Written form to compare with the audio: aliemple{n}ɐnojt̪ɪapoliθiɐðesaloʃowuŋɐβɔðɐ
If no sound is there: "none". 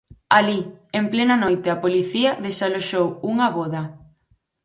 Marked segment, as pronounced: n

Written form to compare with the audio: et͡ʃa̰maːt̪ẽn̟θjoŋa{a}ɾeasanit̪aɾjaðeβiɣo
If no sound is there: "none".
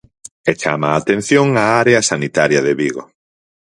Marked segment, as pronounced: a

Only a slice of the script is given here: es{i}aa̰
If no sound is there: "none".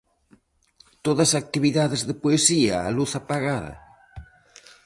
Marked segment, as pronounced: i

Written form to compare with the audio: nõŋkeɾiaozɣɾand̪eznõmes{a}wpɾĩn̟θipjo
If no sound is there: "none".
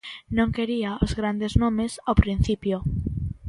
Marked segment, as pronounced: a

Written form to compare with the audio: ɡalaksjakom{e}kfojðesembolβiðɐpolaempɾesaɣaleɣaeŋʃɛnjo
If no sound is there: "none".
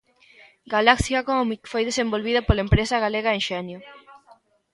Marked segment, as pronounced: i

